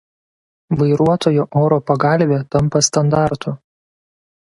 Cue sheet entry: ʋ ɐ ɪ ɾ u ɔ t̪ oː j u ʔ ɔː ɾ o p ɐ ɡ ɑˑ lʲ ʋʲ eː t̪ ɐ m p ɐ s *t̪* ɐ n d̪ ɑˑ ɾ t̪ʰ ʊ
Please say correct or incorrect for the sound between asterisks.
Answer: correct